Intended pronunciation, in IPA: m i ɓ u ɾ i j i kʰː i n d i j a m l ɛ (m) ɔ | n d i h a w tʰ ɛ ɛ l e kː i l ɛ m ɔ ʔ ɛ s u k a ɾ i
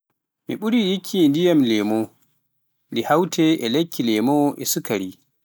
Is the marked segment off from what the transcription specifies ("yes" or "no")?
no